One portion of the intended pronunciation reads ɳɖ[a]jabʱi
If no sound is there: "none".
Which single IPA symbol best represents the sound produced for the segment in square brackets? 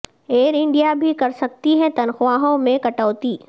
i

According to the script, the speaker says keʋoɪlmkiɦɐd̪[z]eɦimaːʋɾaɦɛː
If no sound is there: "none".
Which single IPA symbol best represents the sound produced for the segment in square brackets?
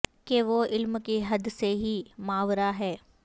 s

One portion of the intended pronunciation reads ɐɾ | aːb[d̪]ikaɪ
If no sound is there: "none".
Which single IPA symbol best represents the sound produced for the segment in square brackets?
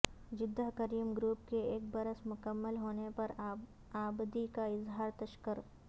d̪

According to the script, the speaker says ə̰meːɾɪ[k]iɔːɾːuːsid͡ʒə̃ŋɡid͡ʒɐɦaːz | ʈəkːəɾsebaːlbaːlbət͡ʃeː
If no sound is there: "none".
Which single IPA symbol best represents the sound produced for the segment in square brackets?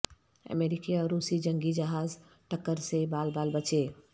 k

